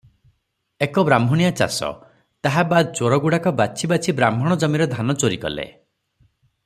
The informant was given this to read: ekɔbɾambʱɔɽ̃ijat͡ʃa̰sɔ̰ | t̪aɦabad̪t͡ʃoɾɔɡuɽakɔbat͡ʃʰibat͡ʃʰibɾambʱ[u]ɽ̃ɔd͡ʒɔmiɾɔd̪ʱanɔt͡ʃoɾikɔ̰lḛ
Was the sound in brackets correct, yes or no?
no